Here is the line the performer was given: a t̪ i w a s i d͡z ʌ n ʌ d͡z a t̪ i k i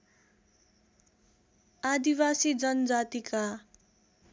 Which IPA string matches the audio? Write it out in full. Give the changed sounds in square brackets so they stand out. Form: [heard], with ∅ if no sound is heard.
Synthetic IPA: a [d̪] i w a s i d͡z ʌ n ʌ d͡z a t̪ i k [a]